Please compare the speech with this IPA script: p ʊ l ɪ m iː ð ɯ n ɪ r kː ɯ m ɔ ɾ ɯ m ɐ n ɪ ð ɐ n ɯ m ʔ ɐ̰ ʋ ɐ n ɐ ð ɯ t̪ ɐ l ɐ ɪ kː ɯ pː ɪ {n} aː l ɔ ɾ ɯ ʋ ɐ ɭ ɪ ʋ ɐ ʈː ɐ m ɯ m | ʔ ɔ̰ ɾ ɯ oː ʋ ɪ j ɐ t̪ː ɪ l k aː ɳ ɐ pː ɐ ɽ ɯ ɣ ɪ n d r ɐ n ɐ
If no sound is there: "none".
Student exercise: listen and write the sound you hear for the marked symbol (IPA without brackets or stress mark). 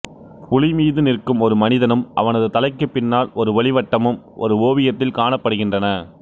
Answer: nː